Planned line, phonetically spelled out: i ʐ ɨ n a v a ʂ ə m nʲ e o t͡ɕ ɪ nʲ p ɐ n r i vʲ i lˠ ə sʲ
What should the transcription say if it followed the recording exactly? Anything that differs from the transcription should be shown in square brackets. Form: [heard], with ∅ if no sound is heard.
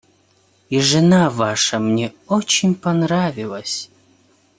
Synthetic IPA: i ʐ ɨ n a v a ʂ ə m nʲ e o t͡ɕ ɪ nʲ p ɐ n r [a] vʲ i lˠ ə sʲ